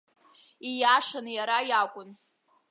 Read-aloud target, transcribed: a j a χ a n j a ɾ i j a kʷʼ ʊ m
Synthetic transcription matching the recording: i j a ʂ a n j a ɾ a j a kʷʼ ʊ n